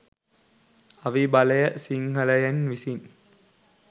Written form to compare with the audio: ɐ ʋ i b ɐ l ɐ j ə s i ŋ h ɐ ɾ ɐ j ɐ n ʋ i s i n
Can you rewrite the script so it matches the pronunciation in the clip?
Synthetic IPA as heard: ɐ ʋ i b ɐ l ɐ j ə s i ŋ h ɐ l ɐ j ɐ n ʋ i s i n